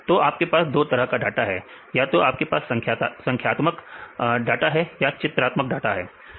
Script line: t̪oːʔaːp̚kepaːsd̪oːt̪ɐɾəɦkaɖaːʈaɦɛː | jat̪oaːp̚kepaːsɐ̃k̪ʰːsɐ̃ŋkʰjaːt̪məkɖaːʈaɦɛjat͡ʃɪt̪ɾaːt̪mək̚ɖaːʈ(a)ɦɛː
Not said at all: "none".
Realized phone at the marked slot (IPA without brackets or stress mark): a